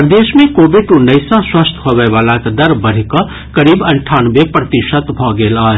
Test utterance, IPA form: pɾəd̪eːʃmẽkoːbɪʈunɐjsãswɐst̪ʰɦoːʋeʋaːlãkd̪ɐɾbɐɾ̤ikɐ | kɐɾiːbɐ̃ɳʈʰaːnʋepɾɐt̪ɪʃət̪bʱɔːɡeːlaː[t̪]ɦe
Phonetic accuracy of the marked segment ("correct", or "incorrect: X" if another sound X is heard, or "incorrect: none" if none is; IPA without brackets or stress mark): incorrect: none